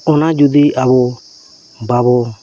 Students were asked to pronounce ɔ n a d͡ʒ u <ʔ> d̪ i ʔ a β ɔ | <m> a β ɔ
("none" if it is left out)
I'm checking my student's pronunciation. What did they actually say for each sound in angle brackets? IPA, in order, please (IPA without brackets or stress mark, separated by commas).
none, b